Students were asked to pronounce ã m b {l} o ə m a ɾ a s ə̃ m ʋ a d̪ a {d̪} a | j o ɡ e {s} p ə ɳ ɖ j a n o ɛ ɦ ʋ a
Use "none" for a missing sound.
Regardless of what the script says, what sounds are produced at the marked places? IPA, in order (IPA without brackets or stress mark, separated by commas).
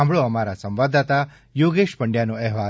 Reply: ɭ, t̪, ʃ